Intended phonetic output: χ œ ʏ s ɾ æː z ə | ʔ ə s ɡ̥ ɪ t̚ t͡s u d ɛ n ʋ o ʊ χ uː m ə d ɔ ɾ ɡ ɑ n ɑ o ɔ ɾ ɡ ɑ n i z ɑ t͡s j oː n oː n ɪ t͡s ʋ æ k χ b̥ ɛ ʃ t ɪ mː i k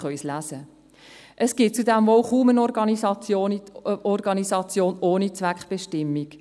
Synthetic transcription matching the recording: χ œ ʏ s l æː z ə | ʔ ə s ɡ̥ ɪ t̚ t͡s u d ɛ m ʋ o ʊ χ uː m ə n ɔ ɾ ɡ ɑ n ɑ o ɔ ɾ ɡ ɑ n i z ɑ t͡s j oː n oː n i t͡s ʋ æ k χ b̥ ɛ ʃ t ɪ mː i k